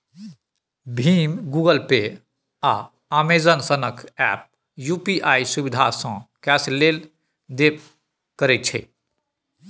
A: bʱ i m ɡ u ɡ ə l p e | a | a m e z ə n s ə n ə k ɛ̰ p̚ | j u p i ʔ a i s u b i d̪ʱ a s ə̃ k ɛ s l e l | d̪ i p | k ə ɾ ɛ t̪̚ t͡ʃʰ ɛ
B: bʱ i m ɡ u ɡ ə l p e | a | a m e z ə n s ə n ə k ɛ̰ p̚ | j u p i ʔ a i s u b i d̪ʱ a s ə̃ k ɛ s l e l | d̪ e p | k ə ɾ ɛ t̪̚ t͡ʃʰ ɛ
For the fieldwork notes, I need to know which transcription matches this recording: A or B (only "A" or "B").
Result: B